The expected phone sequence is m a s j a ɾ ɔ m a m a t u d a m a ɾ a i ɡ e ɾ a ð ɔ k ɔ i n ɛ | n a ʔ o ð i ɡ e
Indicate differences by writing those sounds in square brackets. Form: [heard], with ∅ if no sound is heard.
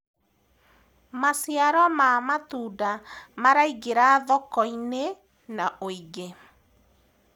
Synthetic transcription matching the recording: m a s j a ɾ ɔ m a m a t u d a m a ɾ a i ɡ e ɾ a ð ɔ k ɔ i n [e] | n a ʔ o [∅] i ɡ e